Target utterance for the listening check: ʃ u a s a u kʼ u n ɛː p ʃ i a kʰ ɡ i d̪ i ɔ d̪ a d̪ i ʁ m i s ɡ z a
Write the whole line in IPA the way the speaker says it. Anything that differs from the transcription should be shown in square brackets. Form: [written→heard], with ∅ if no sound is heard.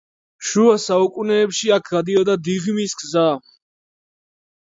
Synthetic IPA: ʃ u a s a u kʼ u n ɛː p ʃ i a kʰ ɡ [i→a] d̪ i ɔ d̪ a d̪ i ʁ m i s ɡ z a